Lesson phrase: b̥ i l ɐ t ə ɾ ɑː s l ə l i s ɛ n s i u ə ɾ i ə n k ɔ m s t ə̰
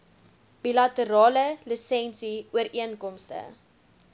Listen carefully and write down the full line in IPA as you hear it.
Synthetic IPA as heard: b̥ i l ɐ t ə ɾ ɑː l ə l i s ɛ n s i u ə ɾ i ə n k ɔ m s t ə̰